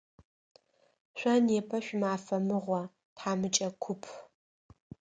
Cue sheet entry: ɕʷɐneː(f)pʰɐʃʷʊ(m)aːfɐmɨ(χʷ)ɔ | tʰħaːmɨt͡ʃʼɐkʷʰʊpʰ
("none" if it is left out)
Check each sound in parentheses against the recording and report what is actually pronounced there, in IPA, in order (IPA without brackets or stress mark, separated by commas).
none, m, ʁʷ